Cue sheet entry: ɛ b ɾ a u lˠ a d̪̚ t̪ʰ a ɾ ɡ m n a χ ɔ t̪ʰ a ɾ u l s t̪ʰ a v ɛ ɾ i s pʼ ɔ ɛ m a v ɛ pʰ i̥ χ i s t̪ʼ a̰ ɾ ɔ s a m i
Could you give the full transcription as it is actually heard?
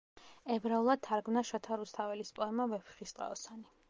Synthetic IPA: ɛ b ɾ a u lˠ a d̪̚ t̪ʰ a ɾ ɡ m n a ʃ ɔ t̪ʰ a ɾ u s t̪ʰ a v ɛ l i s pʼ ɔ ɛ m a v ɛ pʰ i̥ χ i s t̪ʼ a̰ ɔ s a n i